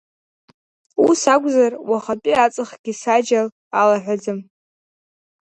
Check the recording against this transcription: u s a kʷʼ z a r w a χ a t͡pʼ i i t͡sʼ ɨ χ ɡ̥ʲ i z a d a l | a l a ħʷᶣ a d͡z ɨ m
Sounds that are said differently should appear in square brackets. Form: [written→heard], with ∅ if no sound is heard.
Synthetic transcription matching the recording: u s a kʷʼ z a r w a χ a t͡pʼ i [i→a] t͡sʼ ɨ χ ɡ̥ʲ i [z→s] a [d→d͡ʒ] a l | a l a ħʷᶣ a d͡z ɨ m

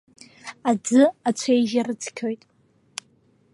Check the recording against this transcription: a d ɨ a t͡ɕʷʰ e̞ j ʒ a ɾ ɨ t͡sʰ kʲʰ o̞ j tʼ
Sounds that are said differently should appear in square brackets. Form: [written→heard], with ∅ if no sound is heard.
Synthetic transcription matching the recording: a [d→d͡z] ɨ a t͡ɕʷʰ e̞ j ʒ a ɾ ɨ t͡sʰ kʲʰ o̞ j tʼ

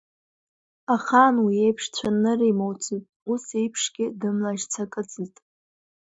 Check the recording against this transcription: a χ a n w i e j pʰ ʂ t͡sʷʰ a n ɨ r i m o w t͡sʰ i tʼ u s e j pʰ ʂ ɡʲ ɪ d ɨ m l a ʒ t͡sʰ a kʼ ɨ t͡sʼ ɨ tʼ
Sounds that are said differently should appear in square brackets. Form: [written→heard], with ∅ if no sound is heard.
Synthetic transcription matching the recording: a χ a n w i e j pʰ ʂ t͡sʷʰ a n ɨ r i m o w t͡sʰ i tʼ u s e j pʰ ʂ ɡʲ ɪ d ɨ m l a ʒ t͡sʰ a kʼ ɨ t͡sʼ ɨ tʼ

